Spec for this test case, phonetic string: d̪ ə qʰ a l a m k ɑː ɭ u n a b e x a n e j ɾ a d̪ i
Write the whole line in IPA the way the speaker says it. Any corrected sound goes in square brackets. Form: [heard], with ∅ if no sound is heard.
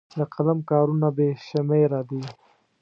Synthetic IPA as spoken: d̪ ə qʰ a l a m k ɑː [ɾ] u n a b e [ʃ] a [m] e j ɾ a d̪ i

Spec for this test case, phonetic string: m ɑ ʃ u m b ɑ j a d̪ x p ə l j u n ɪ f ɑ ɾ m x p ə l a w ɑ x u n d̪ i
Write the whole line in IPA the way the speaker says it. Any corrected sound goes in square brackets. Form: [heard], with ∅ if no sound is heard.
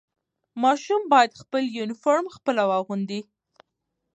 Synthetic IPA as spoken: m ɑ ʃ u m b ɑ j a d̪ x p ə l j u n ɪ f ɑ ɾ m x p ə l a w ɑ [ɣ] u n d̪ i

